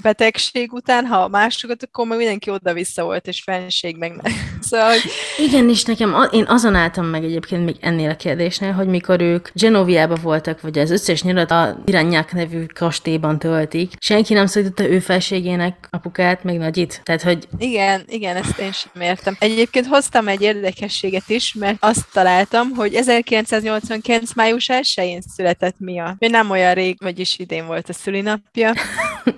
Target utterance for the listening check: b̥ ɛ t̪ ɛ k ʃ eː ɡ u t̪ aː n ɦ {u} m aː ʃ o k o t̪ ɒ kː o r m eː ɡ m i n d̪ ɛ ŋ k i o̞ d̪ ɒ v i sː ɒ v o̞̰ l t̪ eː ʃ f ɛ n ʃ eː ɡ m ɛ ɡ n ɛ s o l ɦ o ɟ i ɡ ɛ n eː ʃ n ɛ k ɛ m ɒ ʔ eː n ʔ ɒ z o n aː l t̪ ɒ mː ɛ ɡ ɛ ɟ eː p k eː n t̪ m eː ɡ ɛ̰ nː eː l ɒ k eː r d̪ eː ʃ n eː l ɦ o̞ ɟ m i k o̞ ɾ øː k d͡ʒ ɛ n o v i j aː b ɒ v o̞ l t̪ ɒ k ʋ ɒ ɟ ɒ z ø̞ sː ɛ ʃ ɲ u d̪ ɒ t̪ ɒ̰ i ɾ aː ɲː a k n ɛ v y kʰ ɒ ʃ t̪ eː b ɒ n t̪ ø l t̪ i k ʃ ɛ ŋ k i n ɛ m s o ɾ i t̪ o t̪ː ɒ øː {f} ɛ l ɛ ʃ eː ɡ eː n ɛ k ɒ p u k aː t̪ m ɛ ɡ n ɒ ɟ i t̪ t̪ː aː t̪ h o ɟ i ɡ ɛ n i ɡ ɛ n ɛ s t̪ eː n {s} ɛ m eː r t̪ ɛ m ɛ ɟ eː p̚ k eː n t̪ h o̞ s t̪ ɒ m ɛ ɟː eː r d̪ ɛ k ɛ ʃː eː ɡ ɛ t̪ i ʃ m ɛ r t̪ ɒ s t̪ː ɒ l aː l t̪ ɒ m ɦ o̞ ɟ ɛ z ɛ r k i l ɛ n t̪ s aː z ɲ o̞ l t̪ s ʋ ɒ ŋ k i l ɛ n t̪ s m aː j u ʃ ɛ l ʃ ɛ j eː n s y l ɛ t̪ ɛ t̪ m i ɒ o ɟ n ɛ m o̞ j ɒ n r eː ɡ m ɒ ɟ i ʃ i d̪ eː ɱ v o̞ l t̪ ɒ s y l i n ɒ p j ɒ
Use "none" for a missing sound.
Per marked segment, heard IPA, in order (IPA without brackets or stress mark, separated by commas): ɒ, f, ʃ